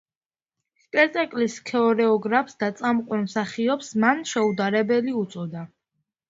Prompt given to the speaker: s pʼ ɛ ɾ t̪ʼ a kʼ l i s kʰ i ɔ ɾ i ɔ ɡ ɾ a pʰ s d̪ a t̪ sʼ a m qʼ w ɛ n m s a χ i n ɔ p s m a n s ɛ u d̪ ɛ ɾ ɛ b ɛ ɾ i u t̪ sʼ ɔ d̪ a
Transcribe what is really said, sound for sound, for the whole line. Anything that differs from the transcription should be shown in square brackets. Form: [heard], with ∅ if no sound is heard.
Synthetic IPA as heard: s pʼ ɛ ɾ t̪ʼ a kʼ l i s kʰ [ɛ] ɔ ɾ [ɛ] ɔ ɡ ɾ a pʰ s d̪ a t̪ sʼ a m qʼ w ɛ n m s a χ i [∅] ɔ p s m a n [ʃ] ɛ u d̪ [a] ɾ ɛ b ɛ [l] i u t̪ sʼ ɔ d̪ a